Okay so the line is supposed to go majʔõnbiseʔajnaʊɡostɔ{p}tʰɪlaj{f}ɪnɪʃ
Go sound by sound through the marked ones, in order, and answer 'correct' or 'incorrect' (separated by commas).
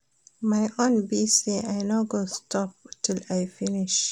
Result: correct, correct